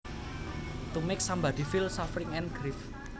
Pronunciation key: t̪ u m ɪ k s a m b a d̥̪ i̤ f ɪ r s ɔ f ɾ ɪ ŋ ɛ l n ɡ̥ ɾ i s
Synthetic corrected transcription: t̪ u m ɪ k s a m b a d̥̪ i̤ f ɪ l s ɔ f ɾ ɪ ŋ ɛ n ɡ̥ ɾ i f